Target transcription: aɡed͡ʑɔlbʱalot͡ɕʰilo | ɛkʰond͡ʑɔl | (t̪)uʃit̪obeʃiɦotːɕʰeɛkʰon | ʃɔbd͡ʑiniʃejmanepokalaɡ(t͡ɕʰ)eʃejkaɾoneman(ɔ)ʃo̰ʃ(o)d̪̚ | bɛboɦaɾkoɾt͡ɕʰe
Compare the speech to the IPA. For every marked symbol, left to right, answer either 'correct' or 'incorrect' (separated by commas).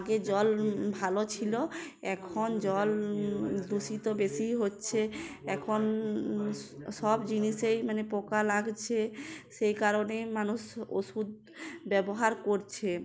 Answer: incorrect, correct, incorrect, incorrect